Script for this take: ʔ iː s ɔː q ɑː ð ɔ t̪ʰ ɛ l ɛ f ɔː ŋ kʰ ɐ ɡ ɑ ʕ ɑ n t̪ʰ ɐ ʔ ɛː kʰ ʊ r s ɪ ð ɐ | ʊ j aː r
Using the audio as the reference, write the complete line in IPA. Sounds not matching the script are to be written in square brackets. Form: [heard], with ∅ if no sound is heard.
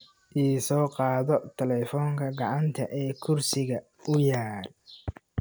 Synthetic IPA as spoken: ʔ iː s ɔː q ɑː ð ɔ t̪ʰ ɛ l ɛ f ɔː ŋ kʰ ɐ ɡ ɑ ʕ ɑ n t̪ʰ ɐ ʔ ɛː kʰ ʊ r s ɪ [ɣ] ɐ | ʊ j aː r